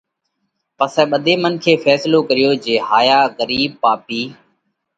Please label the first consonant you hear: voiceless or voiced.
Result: voiceless